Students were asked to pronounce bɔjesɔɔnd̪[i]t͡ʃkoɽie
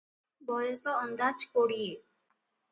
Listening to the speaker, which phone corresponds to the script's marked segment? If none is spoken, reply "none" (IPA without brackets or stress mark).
a